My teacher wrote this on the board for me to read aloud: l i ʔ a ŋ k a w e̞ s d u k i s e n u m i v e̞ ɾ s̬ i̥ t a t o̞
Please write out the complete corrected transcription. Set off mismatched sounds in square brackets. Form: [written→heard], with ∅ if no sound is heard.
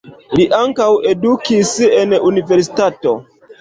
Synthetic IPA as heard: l i ʔ a ŋ k a w e̞ [s→∅] d u k i s e n u [m→n] i v e̞ ɾ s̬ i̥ t a t o̞